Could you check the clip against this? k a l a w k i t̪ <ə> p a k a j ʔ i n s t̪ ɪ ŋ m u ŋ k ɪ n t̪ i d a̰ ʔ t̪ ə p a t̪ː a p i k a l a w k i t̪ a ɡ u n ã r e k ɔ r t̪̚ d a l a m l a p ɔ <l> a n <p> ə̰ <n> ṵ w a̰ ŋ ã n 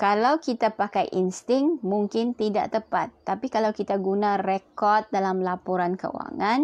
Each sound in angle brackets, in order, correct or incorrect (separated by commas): incorrect, incorrect, incorrect, incorrect